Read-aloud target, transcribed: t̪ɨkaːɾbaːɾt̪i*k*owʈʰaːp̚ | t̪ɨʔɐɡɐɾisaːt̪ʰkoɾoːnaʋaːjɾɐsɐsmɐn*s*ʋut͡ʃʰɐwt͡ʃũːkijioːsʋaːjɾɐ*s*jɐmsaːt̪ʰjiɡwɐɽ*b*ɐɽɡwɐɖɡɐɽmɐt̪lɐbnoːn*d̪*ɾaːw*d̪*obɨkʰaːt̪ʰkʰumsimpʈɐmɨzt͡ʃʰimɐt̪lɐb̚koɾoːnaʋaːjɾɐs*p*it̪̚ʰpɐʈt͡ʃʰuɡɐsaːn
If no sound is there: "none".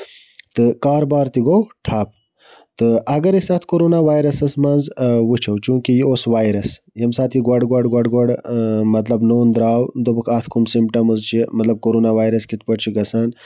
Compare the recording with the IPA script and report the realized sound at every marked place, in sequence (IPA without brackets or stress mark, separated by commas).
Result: ɡ, z, s, ɡ, d̪, d̪, k